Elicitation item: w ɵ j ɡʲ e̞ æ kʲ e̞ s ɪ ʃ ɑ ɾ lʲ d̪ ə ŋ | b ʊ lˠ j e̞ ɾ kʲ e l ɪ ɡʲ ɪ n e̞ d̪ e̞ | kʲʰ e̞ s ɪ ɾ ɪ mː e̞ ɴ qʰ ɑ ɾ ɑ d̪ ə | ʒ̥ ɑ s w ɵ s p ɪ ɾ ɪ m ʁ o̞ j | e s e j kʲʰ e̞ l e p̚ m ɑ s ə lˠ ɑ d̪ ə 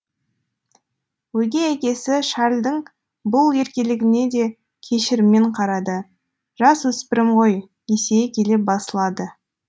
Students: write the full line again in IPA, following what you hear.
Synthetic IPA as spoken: w ɵ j ɡʲ e̞ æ kʲ e̞ s ɪ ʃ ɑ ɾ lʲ d̪ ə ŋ | b ʊ lˠ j e̞ ɾ kʲ e l ɪ ɡʲ ɪ n e̞ d̪ e̞ | kʲʰ e̞ ʃ ɪ ɾ ɪ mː e̞ ɴ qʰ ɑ ɾ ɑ d̪ ə | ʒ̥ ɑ s w ɵ s p ɪ ɾ ɪ m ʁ o̞ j | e s e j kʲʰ e̞ l e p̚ b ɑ s ə lˠ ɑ d̪ ə